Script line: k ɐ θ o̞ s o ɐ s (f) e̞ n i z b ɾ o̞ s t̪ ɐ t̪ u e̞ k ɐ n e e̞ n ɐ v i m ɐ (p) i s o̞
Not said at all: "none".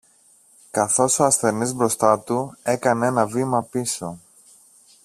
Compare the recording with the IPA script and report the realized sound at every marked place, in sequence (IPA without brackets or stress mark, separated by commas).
θ, p